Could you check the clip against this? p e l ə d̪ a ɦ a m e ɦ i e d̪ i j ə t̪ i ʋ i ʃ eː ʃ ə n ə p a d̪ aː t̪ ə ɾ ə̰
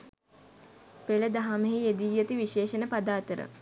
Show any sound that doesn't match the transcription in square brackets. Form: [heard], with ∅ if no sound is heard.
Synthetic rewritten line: p e l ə d̪ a ɦ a m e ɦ i e d̪ i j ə t̪ i ʋ i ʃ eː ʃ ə n ə p a d̪ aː t̪ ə ɾ ə̰